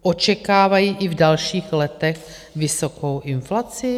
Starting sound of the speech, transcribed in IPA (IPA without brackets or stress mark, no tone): ʔ